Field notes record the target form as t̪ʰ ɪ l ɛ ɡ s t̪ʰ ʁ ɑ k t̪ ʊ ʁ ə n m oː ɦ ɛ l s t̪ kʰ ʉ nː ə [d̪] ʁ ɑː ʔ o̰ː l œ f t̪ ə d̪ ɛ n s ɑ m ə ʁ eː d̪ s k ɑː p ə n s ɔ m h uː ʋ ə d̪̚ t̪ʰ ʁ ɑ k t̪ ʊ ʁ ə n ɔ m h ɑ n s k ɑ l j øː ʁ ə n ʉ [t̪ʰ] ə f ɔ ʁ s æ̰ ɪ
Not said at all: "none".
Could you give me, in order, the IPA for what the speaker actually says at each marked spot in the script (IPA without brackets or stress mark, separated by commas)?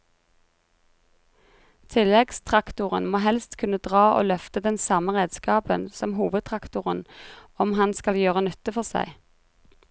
d̪, t̪